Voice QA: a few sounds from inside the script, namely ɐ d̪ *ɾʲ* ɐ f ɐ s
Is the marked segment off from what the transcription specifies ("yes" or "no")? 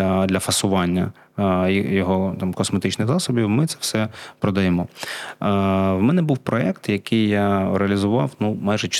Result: yes